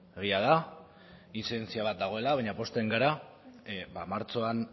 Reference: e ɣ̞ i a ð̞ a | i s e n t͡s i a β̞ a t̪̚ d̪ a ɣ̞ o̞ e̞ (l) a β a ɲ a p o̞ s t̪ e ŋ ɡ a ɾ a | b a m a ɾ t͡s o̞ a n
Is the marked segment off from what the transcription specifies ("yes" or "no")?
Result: no